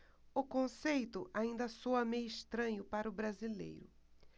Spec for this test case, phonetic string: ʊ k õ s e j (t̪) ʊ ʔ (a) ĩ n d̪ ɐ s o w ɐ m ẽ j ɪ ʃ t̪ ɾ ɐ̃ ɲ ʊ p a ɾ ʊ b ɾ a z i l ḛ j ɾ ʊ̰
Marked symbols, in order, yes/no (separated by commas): yes, yes